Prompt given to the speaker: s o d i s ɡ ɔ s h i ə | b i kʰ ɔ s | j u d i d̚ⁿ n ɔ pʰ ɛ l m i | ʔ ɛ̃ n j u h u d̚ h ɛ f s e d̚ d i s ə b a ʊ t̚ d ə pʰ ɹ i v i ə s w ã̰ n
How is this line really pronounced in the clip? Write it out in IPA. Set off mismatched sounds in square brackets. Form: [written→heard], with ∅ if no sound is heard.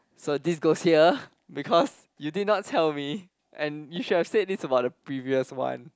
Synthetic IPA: s o d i s ɡ [ɔ→o] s h i ə | b i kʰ ɔ s | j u d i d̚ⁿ n ɔ [pʰ→tʰ] ɛ l m i | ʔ ɛ̃ n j u [h→ʃ] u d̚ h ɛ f s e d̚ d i s ə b a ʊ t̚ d ə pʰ ɹ i v i ə s w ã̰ n

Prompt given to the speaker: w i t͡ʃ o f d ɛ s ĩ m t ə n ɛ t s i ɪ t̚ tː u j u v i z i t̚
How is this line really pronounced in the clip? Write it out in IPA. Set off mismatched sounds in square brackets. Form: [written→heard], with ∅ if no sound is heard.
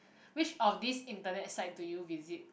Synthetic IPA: w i t͡ʃ [o→ɔ] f d [ɛ→i] s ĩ [m→n] t ə n ɛ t s [i→a] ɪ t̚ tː u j u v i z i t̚

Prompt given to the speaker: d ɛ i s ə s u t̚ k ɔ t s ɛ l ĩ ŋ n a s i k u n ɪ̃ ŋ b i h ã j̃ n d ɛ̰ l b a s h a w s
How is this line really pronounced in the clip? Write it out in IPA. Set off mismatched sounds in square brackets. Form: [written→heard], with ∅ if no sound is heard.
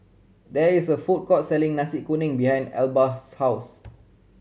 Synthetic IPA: d ɛ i s ə [s→f] u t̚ k ɔ t s ɛ l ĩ ŋ n a s i k u n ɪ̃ ŋ b i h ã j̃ n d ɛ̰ l b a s h a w s

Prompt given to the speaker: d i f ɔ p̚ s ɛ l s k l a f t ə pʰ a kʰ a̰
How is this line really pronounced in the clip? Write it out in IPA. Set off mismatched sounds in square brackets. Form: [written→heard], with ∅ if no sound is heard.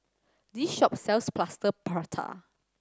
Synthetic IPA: d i [f→ʃ] ɔ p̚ s ɛ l s [k→p] l a [f→s] t ə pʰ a [kʰ→tʰ] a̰

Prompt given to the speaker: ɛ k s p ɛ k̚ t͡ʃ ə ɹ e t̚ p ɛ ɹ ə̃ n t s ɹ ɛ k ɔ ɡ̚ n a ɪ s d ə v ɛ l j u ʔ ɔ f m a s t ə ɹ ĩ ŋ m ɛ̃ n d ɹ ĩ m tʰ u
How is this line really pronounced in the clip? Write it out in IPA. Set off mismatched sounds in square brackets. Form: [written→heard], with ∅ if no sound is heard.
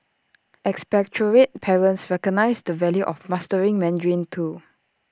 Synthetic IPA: ɛ k s p ɛ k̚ t͡ʃ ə ɹ e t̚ [p→pʰ] ɛ ɹ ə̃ n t s ɹ ɛ k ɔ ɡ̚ n a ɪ s d ə v ɛ l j u ʔ ɔ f m a s t ə ɹ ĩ ŋ m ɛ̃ n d ɹ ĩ [m→n] tʰ u

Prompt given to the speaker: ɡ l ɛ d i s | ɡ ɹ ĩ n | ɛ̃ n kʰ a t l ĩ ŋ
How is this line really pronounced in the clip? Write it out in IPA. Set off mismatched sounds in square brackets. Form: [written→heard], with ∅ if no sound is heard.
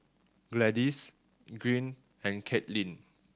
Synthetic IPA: ɡ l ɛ d i s | ɡ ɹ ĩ n | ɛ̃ n kʰ [a→ɛ] t l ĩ [ŋ→n]

